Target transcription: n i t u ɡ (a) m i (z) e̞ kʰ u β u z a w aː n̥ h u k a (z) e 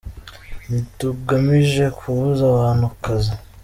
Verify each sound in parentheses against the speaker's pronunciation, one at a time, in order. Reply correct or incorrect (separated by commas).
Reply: correct, incorrect, correct